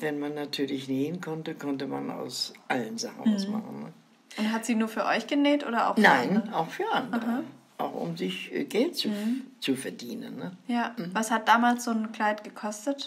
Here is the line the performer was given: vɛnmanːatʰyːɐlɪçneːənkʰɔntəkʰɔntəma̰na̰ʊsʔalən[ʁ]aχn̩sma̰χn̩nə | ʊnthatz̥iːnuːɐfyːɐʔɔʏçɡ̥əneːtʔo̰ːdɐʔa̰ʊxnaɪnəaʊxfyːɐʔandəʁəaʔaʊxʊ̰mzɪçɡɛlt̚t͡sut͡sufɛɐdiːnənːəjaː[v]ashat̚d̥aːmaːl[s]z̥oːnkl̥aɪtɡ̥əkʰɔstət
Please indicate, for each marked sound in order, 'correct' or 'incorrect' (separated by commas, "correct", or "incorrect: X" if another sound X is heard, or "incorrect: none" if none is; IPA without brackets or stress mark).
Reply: incorrect: z, correct, correct